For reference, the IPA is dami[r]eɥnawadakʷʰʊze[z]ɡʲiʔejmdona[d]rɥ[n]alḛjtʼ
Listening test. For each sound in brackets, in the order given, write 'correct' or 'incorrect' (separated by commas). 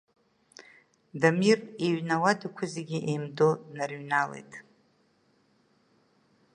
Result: correct, incorrect, incorrect, correct